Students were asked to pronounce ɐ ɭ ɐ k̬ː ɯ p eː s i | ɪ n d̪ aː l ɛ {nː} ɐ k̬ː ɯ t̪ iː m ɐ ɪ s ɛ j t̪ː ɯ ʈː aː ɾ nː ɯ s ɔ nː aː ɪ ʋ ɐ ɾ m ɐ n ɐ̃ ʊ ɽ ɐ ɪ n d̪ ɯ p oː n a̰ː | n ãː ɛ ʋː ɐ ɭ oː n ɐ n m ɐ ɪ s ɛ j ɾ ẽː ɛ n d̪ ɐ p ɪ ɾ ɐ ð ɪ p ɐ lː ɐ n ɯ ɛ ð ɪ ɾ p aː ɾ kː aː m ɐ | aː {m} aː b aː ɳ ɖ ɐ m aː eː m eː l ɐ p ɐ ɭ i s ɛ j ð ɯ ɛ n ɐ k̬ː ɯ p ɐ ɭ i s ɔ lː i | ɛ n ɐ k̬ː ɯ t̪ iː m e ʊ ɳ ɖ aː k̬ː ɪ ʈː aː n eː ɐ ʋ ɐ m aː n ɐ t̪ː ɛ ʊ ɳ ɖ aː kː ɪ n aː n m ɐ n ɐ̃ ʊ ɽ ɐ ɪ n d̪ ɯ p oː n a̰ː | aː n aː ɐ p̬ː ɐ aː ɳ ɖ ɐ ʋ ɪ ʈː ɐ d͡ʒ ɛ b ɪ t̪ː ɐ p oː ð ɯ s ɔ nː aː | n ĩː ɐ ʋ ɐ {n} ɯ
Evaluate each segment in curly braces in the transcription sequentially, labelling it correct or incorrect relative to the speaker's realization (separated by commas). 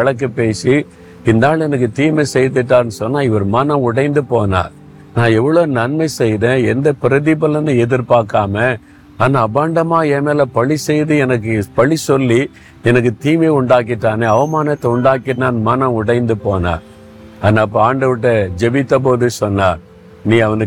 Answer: incorrect, incorrect, correct